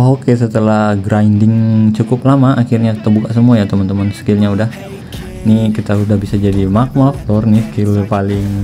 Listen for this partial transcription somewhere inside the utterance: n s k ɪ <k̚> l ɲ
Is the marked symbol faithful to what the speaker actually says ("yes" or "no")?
no